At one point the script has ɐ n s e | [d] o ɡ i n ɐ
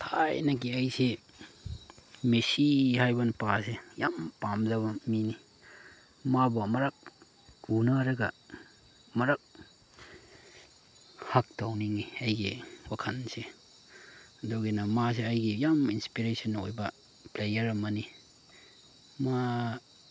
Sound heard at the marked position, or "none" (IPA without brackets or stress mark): d